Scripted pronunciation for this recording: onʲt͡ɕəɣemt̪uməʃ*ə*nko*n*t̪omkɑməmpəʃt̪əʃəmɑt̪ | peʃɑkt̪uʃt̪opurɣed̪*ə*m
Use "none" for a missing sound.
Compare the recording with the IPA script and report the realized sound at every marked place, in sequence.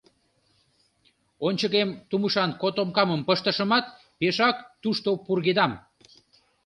ɑ, none, ɑ

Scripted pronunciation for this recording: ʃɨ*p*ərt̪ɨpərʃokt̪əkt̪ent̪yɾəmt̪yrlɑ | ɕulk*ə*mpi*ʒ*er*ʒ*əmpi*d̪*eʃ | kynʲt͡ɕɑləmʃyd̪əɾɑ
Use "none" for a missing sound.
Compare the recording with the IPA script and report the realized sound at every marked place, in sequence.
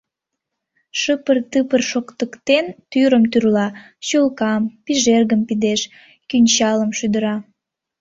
p, ɑ, ʒ, ɣ, d̪

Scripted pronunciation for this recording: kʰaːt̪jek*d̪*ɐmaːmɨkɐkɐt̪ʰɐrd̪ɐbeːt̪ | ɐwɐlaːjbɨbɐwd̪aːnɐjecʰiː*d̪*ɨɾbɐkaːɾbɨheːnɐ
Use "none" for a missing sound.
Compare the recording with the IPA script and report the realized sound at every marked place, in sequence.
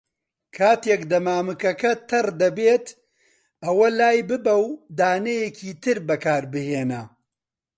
d̪, t̪

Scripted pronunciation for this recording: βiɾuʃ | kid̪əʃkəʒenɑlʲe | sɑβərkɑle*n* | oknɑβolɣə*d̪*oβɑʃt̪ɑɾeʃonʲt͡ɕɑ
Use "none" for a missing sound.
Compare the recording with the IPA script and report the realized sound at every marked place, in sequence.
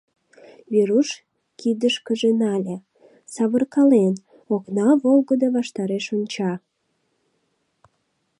n, d̪

